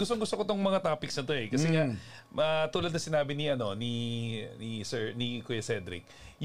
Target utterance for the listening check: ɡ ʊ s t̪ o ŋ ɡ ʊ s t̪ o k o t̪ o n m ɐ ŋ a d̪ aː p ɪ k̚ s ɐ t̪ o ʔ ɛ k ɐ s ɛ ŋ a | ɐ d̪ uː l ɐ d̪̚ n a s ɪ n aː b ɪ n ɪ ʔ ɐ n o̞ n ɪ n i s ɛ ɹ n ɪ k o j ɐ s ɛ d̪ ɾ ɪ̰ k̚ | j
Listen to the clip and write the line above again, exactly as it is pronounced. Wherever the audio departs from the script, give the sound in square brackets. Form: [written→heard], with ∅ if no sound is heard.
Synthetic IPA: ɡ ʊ s t̪ o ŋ ɡ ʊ s t̪ o k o t̪ o [n→ŋ] m ɐ ŋ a [d̪→t̪] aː p ɪ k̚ s ɐ t̪ o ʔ ɛ k ɐ s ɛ ŋ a | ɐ [d̪→t̪] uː l ɐ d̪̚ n [a→ɐ] s ɪ n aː b ɪ n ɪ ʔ ɐ n o̞ n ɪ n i s ɛ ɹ n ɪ k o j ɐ s ɛ d̪ ɾ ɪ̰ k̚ | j